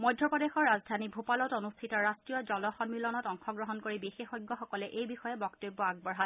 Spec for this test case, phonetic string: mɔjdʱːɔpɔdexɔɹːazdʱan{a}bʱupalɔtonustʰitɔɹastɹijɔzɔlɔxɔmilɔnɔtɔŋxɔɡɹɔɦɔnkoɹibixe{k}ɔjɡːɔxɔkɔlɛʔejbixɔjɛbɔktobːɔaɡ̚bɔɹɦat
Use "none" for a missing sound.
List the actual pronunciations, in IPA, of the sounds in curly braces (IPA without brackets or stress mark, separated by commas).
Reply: i, x